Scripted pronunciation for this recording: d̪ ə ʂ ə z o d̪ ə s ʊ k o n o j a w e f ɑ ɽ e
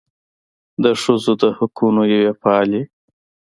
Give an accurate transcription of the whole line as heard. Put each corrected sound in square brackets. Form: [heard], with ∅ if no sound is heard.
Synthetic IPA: d̪ ə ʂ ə z o d̪ ə [h] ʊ k [u] n o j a w e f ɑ [l] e

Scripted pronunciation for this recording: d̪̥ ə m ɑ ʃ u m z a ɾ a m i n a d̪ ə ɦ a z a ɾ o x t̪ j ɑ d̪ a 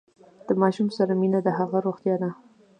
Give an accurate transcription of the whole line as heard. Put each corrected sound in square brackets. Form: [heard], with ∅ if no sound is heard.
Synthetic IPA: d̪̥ ə m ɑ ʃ u m [s] a ɾ a m i n a d̪ ə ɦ a [ɣ] a ɾ o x t̪ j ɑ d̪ a

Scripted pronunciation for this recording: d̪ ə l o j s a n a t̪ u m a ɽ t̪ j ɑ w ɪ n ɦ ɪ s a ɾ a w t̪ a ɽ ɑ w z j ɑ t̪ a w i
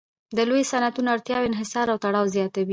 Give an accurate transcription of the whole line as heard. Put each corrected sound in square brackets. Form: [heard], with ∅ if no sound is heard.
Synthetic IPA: d̪ ə l o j s a n a t̪ u [n] a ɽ t̪ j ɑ w ɪ n ɦ ɪ s [ɑ] ɾ a w t̪ a ɽ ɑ w z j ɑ t̪ a w i

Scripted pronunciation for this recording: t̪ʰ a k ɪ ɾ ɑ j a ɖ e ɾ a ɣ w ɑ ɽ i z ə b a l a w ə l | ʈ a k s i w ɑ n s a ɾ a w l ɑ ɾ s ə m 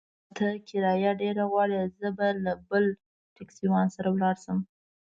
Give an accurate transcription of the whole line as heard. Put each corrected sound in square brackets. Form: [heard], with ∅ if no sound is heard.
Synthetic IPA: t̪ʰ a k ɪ ɾ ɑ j a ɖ e ɾ a ɣ w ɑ ɽ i z ə b a l a [b] ə l | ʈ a k s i w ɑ n s a ɾ a w l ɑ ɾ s ə m

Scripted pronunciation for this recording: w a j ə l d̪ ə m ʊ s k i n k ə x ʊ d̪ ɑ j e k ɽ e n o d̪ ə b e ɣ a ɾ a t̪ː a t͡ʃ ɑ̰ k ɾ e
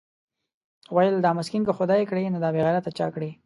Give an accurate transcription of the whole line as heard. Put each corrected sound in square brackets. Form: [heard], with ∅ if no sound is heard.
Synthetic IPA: w a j ə l d̪ [ɑ] m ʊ s k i n k ə x ʊ d̪ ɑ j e k ɽ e n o d̪ [ɑ] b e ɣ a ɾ a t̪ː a t͡ʃ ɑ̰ k [ɽ] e

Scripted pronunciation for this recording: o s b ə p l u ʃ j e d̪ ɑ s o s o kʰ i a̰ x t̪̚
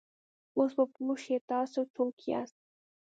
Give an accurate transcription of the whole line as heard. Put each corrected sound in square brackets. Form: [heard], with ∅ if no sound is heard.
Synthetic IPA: o s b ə p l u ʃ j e [t̪] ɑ s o [t͡s] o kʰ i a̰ [s] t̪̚

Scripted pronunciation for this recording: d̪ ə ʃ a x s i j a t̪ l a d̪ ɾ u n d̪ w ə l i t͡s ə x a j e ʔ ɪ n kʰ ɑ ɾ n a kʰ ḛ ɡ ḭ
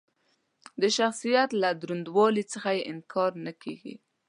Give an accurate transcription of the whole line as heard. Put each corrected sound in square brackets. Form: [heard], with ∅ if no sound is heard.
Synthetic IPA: d̪ ə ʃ a x s i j a t̪ l a d̪ ɾ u n d̪ w [ɑ] l i t͡s ə x a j e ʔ ɪ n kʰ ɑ ɾ n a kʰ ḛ ɡ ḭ

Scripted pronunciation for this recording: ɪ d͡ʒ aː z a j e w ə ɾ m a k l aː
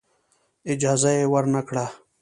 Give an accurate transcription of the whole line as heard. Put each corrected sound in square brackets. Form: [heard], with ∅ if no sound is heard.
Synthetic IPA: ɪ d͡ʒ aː z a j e w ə ɾ [n] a k [ɽ] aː

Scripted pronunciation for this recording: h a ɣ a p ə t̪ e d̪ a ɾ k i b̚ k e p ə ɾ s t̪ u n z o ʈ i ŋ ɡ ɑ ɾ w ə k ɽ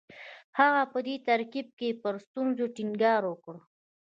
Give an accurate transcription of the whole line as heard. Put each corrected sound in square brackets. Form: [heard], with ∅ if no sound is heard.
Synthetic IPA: h a ɣ a p ə [d̪] e [t̪] a ɾ k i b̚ k e p ə ɾ s t̪ u n z o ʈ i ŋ ɡ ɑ ɾ w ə k ɽ

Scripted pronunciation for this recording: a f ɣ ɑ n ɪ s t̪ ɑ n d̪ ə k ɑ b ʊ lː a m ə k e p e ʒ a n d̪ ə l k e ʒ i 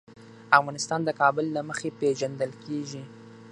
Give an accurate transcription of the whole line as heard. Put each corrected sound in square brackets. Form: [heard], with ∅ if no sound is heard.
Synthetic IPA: a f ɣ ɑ n ɪ s t̪ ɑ n d̪ ə k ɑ b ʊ lː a m ə [x] e p e ʒ a n d̪ ə l k e ʒ i

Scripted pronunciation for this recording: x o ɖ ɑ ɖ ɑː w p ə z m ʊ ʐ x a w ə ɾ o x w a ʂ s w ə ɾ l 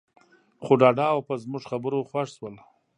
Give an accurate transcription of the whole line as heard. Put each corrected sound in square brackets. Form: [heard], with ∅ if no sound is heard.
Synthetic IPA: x o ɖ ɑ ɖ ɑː w p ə z m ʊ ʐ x a [b] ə ɾ o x w a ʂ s w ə [∅] l

